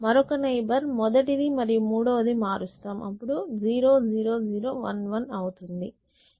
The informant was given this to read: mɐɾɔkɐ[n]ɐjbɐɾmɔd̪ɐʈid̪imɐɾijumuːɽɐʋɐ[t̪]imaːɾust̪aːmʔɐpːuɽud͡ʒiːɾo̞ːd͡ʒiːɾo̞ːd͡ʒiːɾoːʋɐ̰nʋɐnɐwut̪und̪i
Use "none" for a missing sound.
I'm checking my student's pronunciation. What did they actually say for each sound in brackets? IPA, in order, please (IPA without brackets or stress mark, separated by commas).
n, d̪